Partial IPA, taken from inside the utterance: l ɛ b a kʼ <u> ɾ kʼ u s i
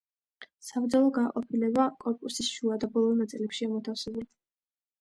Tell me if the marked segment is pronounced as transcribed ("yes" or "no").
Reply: no